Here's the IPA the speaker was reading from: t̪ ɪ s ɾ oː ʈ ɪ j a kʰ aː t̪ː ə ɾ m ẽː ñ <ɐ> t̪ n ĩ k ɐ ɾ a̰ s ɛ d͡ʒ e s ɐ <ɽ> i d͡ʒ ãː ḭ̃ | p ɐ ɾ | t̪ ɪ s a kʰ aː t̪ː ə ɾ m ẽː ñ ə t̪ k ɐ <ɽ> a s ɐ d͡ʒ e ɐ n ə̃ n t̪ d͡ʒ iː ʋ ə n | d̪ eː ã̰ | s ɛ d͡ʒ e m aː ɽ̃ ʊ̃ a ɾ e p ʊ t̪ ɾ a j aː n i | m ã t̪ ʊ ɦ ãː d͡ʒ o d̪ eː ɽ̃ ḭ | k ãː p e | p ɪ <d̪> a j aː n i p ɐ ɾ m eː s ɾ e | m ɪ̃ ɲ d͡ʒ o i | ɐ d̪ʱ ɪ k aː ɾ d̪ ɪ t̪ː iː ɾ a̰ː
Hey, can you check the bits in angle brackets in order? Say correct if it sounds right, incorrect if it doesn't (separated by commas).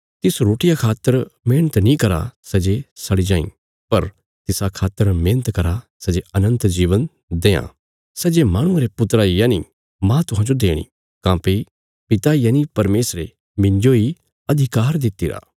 incorrect, correct, incorrect, incorrect